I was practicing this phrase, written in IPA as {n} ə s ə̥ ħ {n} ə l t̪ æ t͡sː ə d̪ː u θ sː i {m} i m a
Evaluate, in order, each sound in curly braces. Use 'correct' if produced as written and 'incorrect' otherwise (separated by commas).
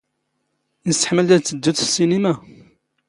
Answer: correct, incorrect, incorrect